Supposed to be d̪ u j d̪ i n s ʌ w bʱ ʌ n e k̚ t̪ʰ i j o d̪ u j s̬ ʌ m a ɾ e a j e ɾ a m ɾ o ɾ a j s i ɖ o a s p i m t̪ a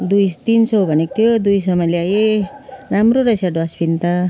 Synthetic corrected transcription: d̪ u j t̪ i n s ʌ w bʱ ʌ n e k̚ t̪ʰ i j o d̪ u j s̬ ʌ m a l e a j e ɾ a m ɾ o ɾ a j s a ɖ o a s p i n t̪ a